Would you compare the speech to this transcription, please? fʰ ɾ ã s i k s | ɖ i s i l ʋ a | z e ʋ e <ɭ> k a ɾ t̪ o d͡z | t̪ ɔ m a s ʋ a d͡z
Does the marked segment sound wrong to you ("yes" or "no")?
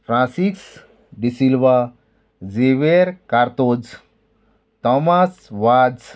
yes